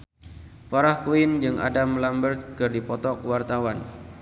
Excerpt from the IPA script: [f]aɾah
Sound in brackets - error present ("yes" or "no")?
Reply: no